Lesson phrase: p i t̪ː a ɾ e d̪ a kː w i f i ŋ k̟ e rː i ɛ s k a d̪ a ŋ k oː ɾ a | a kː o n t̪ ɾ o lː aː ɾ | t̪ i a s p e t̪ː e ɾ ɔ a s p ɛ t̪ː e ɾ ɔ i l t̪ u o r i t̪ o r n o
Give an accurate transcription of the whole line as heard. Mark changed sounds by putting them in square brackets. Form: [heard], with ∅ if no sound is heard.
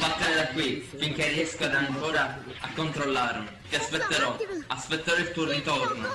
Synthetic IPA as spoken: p [a] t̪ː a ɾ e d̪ a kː w i f i ŋ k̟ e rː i ɛ s k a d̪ a ŋ k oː ɾ a | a kː o n t̪ ɾ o lː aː ɾ | t̪ i a s p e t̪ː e ɾ ɔ a s p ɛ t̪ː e ɾ ɔ i l t̪ u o r i t̪ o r n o